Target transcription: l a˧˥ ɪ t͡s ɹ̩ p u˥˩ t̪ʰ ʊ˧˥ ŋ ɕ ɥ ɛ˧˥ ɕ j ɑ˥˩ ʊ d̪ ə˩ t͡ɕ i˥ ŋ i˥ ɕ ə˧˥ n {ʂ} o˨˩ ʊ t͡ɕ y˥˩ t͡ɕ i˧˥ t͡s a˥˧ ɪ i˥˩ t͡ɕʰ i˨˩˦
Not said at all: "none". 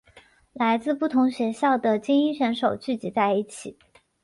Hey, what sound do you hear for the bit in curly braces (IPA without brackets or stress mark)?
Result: ʂ